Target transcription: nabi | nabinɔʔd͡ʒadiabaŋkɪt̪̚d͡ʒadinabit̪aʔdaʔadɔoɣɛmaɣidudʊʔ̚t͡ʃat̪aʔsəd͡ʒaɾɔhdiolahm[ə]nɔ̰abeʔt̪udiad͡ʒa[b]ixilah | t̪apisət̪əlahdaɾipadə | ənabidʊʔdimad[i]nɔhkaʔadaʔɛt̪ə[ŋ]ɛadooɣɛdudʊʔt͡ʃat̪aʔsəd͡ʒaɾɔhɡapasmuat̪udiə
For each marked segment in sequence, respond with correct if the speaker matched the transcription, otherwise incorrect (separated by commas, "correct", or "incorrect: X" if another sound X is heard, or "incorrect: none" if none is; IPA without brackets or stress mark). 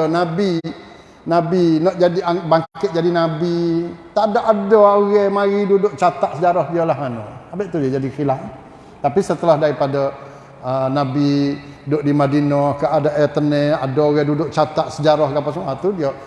incorrect: a, incorrect: d, correct, incorrect: n